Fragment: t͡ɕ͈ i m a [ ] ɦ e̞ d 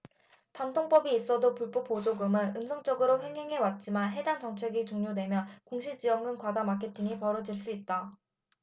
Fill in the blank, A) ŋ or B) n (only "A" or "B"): B